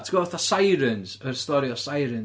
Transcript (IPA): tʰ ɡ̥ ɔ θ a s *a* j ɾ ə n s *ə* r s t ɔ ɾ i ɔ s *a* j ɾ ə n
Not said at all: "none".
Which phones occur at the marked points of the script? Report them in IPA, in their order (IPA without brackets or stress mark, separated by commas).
a, ə, a